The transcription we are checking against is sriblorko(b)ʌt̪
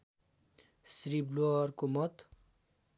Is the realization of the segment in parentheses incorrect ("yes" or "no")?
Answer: yes